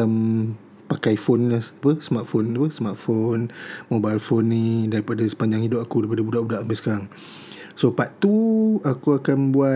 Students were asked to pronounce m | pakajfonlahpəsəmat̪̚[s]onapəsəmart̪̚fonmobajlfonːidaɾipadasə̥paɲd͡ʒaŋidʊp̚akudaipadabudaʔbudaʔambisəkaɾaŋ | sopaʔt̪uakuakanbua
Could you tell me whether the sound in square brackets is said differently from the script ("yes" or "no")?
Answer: yes